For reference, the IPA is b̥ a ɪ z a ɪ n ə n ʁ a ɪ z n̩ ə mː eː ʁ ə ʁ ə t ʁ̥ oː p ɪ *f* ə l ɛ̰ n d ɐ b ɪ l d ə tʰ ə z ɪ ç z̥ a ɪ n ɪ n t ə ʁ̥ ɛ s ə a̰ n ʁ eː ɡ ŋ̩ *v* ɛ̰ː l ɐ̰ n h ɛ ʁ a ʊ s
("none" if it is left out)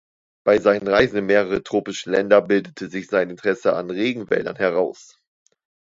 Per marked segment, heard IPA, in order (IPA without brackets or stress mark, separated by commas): ʃ, v